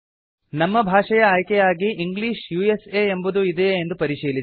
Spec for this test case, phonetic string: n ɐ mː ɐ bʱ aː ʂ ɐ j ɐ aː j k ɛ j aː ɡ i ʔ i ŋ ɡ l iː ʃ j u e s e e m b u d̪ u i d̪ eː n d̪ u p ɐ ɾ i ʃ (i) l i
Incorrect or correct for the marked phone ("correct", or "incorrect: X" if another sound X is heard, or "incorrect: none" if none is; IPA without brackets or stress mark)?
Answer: incorrect: iː